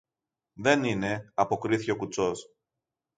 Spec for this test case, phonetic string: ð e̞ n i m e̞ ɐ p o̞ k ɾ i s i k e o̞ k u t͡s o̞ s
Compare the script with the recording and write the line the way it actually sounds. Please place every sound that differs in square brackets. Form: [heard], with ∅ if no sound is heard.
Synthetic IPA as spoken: ð e̞ n i [n] e̞ ɐ p o̞ k ɾ i [θ] i [c] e o̞ k u t͡s o̞ s